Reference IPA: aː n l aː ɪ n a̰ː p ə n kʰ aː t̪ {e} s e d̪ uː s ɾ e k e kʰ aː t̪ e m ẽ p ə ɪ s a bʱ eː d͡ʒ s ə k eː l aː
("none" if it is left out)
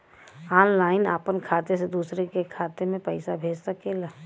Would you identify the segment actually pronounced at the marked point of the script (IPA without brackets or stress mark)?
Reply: e